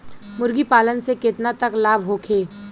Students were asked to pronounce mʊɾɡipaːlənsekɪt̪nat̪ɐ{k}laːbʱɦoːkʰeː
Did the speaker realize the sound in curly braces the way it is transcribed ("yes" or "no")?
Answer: yes